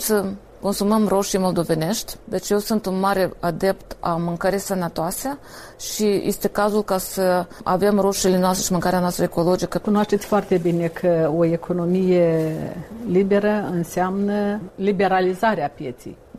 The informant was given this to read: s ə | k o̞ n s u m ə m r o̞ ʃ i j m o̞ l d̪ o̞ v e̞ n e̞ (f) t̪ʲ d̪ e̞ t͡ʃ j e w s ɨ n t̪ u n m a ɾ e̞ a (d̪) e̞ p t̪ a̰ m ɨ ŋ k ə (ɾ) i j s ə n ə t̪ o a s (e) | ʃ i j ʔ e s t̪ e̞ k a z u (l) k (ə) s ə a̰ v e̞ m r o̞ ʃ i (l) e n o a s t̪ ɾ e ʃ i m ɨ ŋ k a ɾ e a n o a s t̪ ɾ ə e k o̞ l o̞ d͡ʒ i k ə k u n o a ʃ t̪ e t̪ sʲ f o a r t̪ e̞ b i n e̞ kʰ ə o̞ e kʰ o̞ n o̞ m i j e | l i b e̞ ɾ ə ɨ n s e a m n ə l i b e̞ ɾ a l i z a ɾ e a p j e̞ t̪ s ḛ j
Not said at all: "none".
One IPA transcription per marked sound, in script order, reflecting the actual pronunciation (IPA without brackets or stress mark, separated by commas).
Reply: ʃ, d̪, ɾ, e, l, a, l